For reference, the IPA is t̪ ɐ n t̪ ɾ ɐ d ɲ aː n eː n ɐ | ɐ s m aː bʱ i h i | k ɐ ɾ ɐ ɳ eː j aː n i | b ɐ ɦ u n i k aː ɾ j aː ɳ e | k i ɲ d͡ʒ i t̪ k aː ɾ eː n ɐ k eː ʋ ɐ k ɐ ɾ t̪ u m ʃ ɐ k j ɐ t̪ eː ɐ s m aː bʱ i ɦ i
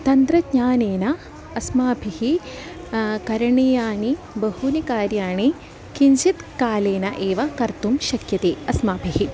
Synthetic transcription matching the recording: t̪ ɐ n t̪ ɾ ɐ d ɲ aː n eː n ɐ | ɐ s m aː bʱ i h i | k ɐ ɾ ɐ ɳ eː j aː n i | b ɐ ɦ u n i k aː ɾ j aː ɳ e | k i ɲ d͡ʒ i t̪ k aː l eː n ɐ ʔ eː ʋ ɐ k ɐ ɾ t̪ u m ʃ ɐ k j ɐ t̪ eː ɐ s m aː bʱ i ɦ i